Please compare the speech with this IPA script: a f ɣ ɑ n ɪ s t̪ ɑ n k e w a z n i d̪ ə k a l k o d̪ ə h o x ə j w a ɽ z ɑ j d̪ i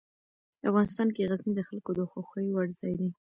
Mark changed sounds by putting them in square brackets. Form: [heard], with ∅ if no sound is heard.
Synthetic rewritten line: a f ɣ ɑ n ɪ s t̪ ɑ n k e [ɣ] a z n i d̪ ə [x] a l k o d̪ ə [x] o x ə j w a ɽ z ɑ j d̪ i